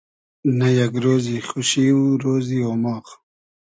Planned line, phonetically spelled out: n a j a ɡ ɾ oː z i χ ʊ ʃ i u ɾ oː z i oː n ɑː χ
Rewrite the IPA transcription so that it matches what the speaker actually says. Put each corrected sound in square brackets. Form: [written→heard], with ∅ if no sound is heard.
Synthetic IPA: n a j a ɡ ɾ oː z i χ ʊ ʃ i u ɾ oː z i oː [n→m] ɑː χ